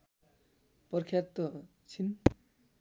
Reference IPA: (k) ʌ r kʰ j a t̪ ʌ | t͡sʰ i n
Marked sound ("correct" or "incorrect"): incorrect